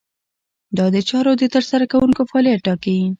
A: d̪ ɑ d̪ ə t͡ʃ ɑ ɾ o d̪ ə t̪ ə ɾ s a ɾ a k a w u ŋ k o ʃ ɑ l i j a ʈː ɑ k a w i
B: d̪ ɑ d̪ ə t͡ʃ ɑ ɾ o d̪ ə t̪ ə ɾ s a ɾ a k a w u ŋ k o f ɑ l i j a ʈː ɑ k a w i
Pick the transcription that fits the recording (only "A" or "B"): B